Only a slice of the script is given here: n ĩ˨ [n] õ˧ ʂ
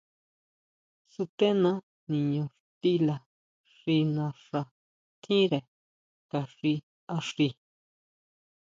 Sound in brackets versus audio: incorrect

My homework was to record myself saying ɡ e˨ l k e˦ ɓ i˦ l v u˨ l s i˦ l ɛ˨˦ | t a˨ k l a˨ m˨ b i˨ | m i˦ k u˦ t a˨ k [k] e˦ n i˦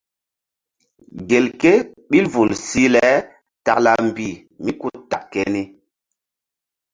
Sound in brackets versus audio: correct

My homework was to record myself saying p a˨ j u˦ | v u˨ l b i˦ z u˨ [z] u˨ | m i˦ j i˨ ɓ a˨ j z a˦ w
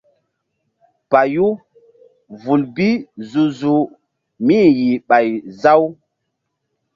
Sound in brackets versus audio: correct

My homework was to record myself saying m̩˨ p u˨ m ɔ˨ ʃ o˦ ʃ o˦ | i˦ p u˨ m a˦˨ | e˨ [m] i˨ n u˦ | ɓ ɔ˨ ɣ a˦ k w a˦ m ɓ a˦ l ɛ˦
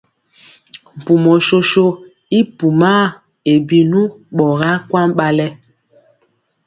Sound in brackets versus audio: incorrect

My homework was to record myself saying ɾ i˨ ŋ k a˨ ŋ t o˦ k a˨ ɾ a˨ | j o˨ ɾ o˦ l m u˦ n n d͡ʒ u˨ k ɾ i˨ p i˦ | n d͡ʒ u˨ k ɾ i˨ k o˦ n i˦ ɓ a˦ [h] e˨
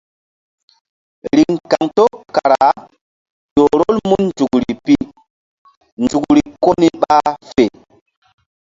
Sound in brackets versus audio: incorrect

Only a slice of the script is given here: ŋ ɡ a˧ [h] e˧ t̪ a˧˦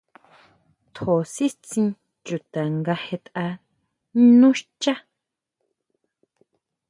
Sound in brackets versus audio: correct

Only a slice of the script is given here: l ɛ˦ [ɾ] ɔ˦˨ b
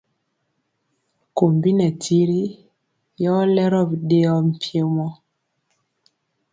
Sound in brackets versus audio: correct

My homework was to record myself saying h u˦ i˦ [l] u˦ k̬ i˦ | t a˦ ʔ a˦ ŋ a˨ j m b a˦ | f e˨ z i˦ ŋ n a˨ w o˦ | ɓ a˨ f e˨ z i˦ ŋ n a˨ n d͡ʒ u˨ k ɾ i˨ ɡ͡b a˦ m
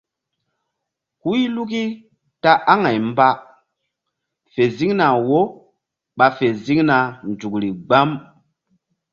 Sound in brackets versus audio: correct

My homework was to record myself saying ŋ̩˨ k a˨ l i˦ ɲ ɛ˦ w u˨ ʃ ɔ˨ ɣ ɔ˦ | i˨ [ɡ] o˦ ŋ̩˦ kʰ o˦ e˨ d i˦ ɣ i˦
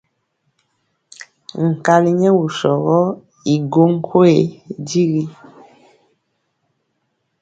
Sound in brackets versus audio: correct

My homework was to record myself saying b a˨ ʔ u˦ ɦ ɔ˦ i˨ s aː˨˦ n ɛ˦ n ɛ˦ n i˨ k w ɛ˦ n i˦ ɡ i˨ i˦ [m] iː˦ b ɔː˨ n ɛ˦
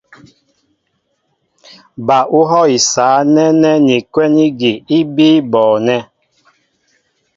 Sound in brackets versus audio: incorrect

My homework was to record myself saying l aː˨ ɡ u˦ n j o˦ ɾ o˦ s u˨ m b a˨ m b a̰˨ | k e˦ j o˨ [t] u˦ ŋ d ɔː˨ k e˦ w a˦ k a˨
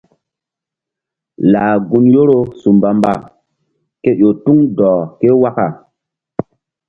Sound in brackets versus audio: correct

